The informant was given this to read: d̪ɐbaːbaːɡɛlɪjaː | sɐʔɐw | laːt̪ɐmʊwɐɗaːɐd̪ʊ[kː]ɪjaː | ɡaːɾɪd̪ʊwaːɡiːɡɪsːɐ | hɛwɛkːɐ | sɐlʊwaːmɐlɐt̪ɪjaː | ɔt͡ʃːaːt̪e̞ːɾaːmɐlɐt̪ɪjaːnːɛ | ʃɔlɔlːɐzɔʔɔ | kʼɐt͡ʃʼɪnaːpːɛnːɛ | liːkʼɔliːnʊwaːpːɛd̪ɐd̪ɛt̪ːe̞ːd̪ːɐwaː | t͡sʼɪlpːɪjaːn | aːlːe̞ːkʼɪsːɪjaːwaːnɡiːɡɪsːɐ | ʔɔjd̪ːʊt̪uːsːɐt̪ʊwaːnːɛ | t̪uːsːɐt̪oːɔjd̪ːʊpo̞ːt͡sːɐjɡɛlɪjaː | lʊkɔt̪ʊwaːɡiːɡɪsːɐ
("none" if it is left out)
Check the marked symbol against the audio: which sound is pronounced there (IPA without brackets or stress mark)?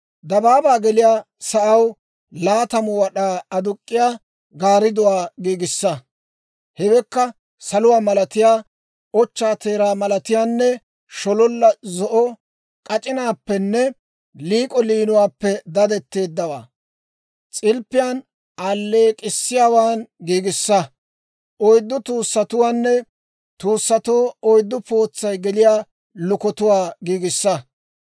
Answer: kʼː